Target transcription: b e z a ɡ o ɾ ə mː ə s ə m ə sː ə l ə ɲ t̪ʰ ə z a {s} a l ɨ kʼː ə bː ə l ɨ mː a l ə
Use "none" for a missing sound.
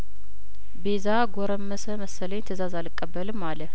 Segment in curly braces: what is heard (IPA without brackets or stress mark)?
z